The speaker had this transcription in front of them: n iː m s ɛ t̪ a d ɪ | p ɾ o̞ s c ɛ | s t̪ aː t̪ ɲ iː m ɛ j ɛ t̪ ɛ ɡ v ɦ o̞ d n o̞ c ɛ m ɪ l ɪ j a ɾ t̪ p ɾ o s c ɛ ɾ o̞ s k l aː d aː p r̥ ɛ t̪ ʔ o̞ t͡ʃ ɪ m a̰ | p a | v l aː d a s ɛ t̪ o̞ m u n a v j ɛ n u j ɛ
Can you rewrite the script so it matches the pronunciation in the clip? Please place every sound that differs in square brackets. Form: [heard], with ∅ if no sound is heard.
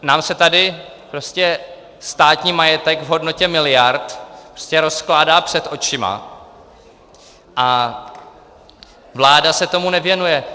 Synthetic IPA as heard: n [aː] m s ɛ t̪ a d ɪ | p ɾ o̞ s c ɛ | s t̪ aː t̪ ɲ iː m [a] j ɛ t̪ ɛ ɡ v ɦ o̞ d n o̞ c ɛ m ɪ l ɪ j a ɾ t̪ p ɾ o s c ɛ ɾ o̞ s k l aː d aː p r̥ ɛ t̪ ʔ o̞ t͡ʃ ɪ m a̰ | [ʔ] a | v l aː d a s ɛ t̪ o̞ m u n [ɛ] v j ɛ n u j ɛ